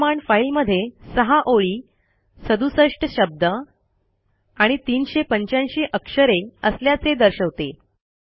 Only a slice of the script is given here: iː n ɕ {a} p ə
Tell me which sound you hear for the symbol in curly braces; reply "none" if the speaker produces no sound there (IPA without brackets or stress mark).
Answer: e